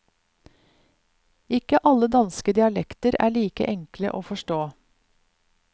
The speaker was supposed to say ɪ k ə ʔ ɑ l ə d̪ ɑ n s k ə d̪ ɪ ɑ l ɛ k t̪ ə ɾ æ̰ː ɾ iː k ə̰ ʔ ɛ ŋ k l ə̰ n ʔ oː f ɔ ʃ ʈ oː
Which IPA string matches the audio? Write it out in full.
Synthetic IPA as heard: ɪ k ə ʔ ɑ l ə d̪ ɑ n s k ə d̪ ɪ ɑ l ɛ k t̪ ə ɾ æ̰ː ɭ iː k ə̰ ʔ ɛ ŋ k l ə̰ ʔ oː f ɔ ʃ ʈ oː